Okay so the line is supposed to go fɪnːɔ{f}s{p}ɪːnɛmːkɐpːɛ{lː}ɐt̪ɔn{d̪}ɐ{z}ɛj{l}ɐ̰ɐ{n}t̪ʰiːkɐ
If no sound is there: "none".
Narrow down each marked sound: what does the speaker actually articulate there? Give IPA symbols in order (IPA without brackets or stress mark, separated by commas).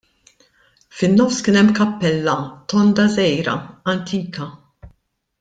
f, k, lː, d̪, z, ɾ, n